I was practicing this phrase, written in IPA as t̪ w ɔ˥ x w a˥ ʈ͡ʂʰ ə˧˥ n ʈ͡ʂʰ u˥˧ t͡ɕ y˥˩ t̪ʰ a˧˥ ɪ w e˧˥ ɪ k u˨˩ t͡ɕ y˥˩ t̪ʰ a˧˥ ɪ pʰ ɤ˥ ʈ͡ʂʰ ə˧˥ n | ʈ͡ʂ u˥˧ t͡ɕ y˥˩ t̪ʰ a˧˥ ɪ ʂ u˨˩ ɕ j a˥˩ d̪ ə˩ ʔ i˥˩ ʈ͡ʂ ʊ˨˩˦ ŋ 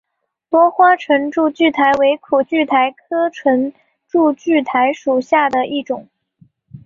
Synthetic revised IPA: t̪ w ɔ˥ x w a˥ ʈ͡ʂʰ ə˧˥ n ʈ͡ʂ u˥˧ t͡ɕ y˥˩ t̪ʰ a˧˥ ɪ w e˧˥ ɪ kʰ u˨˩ t͡ɕ y˥˩ t̪ʰ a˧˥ ɪ kʰ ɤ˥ ʈ͡ʂʰ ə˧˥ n | ʈ͡ʂ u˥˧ t͡ɕ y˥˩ t̪ʰ a˧˥ ɪ ʂ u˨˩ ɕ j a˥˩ d̪ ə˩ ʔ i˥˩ ʈ͡ʂ ʊ˨˩˦ ŋ